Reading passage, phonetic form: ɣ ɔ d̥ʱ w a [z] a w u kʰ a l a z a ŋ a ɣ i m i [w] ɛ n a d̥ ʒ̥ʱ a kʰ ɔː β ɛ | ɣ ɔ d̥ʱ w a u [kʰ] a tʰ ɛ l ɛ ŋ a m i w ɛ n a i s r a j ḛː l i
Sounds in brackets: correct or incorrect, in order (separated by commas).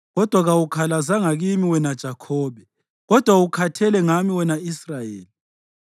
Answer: incorrect, correct, correct